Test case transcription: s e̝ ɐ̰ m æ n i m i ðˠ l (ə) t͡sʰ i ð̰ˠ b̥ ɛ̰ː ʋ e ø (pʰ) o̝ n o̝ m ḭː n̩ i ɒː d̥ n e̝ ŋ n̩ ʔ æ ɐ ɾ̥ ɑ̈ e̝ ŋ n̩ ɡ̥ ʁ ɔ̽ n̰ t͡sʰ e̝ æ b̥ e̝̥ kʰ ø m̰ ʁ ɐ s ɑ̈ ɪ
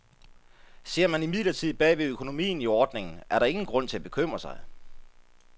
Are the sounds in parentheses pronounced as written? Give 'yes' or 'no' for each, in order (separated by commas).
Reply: no, no